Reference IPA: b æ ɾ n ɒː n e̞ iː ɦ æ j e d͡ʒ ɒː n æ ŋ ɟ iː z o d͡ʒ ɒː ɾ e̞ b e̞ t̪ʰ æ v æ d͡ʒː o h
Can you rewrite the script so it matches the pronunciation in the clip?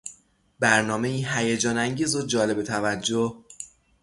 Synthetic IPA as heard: b æ ɾ n ɒː m e̞ iː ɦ æ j e d͡ʒ ɒː n æ ŋ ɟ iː z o d͡ʒ ɒː l e̞ b e̞ t̪ʰ æ v æ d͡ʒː o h